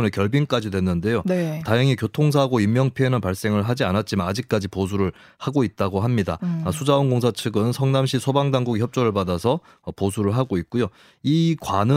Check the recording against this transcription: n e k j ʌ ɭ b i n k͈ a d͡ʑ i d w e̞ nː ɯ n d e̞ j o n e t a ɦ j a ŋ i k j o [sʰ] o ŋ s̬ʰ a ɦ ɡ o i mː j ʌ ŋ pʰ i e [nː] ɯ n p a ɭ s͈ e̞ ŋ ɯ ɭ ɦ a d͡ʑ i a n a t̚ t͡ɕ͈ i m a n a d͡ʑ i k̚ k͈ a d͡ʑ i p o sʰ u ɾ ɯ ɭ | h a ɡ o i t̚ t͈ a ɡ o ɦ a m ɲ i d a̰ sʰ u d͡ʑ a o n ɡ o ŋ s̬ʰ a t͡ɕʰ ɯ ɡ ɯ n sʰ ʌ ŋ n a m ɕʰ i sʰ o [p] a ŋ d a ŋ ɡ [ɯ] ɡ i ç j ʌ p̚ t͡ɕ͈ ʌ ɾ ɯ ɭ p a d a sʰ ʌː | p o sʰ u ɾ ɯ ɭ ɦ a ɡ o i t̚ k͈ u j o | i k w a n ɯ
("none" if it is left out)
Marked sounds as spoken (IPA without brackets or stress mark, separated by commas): tʰ, n, b, u